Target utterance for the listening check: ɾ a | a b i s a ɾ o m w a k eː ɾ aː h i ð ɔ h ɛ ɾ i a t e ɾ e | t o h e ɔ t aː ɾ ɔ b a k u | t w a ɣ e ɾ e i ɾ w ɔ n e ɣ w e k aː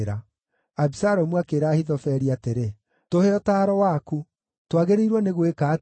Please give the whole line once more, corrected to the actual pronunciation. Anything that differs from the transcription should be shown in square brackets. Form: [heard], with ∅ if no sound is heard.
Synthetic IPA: ɾ a | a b i s a ɾ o m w a k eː ɾ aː h i ð ɔ [f] ɛ ɾ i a t e ɾ e | t o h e ɔ t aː ɾ ɔ [w] a k u | t w a ɣ e ɾ e i ɾ w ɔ n e ɣ w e k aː